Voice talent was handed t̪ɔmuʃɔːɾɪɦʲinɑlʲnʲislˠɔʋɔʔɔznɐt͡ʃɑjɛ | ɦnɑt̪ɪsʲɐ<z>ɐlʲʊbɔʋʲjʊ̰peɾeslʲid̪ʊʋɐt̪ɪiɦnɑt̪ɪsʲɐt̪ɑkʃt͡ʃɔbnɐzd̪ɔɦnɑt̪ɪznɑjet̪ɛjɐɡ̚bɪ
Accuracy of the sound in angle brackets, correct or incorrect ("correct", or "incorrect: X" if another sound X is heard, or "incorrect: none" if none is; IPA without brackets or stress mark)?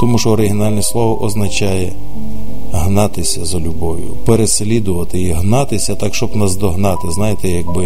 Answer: correct